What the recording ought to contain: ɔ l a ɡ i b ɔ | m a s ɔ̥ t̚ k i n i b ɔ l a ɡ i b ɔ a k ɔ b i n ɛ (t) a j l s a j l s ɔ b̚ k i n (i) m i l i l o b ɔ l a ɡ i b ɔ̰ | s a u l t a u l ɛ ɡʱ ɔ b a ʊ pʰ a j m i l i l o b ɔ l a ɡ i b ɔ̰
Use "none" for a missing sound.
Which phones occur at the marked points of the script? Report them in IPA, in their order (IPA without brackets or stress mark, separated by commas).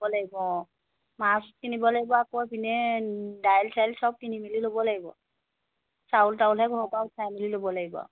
d, i